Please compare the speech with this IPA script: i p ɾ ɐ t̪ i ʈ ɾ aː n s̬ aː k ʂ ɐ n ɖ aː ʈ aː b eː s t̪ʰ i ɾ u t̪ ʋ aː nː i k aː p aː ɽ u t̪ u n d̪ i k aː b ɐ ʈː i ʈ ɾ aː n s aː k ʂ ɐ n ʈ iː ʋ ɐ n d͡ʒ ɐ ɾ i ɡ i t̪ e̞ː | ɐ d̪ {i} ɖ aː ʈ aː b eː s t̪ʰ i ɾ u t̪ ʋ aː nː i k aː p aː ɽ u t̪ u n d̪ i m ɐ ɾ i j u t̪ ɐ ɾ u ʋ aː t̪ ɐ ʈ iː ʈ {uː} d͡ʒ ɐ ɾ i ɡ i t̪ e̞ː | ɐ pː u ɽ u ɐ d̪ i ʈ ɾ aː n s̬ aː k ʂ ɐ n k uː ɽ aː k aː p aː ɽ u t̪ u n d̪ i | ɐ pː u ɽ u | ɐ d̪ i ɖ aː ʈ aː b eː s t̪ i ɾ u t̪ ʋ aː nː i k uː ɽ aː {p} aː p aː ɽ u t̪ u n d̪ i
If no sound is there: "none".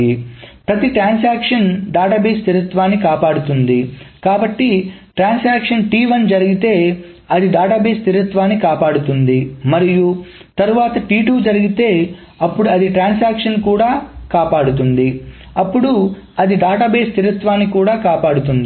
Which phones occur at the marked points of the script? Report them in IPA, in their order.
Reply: i, uː, k

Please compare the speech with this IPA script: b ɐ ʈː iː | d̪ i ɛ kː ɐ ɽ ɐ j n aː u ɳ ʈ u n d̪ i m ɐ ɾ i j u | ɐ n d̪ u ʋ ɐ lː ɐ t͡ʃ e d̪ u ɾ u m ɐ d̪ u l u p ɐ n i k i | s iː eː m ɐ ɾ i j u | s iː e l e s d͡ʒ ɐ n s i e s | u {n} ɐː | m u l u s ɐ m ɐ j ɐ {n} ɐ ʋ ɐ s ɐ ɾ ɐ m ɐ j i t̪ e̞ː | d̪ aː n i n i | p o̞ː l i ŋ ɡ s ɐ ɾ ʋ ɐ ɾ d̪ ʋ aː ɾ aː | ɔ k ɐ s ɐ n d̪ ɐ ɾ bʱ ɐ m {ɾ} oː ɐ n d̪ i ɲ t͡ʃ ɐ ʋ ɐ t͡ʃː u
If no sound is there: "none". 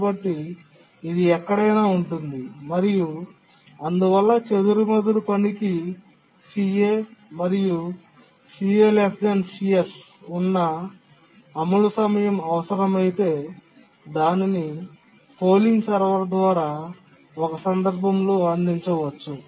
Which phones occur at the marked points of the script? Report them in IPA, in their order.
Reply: nː, m, l

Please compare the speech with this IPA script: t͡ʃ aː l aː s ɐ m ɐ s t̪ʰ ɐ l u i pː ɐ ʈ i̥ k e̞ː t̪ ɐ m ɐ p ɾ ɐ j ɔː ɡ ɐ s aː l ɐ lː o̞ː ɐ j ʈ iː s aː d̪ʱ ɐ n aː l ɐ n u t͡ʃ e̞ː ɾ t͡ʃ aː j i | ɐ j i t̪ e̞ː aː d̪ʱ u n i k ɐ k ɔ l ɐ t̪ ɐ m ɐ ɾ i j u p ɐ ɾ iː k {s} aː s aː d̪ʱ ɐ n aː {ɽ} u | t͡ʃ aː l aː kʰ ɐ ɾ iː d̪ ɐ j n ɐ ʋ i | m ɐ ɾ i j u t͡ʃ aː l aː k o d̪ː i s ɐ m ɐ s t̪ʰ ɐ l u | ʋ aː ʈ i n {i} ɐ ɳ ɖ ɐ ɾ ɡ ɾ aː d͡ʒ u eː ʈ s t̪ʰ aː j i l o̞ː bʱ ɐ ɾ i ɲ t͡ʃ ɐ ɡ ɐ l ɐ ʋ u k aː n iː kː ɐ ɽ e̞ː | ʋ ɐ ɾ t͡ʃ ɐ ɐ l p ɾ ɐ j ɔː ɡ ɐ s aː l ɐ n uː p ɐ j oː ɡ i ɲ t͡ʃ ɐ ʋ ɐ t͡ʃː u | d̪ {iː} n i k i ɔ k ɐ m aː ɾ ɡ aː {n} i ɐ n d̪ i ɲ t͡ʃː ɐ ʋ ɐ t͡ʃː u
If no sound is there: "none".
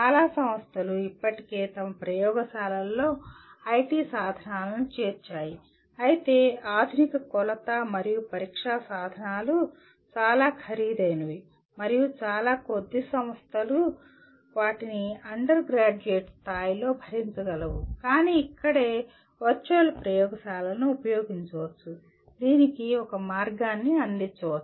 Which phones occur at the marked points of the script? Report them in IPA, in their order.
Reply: ʂ, l, i, iː, nː

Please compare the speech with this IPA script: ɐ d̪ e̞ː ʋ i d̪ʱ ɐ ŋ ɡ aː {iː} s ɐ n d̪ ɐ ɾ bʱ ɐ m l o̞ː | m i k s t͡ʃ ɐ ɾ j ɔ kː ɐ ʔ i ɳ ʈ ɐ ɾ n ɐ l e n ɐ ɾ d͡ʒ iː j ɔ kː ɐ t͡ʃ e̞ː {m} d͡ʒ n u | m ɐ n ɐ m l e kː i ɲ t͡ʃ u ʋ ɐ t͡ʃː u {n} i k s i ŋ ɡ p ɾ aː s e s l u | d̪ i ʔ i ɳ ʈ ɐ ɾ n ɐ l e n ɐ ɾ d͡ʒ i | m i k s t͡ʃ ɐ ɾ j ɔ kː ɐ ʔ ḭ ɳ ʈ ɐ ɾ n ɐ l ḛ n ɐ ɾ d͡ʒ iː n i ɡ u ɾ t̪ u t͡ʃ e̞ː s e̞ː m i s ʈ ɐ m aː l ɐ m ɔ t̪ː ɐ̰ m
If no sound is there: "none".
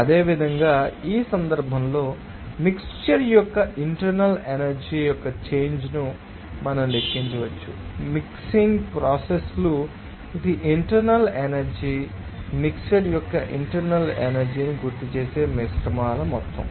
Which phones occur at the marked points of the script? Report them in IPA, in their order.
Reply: iː, ɲ, m

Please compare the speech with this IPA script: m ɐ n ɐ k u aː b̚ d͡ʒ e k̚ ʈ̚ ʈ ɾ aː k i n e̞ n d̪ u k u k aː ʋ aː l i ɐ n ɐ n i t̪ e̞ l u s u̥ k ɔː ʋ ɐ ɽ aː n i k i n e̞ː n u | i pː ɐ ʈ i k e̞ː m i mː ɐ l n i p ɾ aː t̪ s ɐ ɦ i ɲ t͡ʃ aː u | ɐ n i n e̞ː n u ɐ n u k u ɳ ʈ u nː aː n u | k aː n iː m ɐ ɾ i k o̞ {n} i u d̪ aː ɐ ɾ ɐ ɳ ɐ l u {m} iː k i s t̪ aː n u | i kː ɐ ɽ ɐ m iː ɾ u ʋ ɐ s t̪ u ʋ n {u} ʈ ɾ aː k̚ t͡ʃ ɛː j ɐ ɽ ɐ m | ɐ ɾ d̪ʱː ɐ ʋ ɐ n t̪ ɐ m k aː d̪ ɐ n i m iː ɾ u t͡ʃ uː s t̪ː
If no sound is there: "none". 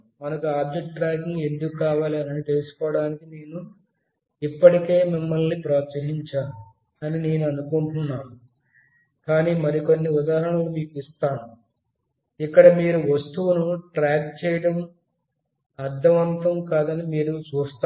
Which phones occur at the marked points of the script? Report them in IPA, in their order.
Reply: nː, m, u

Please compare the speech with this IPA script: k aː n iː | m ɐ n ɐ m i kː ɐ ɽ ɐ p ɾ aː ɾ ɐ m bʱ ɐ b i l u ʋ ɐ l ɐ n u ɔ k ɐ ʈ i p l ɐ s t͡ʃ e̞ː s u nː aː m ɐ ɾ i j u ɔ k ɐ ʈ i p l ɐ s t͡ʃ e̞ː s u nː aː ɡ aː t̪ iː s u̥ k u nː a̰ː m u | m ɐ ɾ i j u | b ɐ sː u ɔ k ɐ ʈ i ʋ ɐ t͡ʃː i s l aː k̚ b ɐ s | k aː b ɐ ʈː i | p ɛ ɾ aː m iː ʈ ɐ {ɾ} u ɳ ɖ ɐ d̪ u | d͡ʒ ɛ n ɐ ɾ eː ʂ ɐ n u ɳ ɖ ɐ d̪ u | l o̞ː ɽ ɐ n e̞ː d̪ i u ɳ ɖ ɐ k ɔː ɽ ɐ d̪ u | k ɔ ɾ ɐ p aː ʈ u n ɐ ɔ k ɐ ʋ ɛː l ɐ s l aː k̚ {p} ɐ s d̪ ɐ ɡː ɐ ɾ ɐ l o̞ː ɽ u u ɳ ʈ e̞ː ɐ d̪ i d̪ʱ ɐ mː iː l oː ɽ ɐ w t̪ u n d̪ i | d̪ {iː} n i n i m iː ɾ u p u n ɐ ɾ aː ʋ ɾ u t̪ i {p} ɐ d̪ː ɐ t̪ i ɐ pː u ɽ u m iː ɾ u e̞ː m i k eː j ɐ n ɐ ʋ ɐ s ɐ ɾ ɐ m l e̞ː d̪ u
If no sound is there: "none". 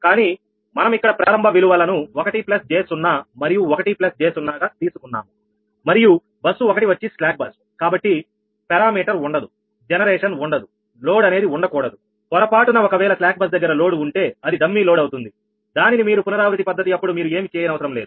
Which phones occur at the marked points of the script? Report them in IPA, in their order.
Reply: ɾ, b, aː, p

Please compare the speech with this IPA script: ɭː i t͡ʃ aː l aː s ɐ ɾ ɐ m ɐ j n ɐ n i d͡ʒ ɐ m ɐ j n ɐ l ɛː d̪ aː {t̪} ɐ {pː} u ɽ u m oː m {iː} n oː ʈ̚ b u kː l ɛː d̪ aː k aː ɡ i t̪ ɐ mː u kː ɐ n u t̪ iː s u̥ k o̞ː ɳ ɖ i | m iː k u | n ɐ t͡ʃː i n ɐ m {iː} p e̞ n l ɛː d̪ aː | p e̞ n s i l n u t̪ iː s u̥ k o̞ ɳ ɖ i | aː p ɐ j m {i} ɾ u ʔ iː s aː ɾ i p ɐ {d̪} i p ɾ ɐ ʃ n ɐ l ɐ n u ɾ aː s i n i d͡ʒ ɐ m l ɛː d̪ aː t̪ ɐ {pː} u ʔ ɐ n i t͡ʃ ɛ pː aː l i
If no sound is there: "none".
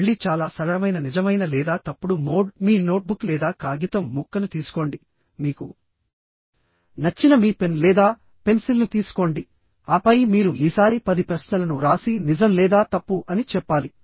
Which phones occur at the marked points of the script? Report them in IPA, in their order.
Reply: t̪, pː, iː, iː, iː, d̪, pː

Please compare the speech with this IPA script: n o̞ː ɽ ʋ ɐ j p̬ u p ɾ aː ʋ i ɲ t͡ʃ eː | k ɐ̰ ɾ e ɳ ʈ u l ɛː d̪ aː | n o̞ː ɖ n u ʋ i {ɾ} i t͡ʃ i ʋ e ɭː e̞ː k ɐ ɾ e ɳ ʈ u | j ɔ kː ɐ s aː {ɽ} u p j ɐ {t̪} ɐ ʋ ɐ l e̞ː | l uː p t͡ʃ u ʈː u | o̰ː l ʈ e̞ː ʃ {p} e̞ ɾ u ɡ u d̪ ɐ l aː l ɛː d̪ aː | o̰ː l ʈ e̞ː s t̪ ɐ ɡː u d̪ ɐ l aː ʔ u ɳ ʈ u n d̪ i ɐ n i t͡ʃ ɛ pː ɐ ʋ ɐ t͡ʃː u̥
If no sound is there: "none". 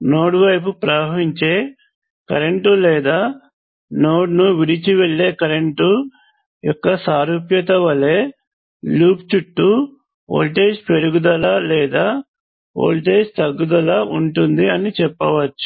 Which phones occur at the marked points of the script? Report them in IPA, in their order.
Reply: ɽ, ɾ, t̪, p

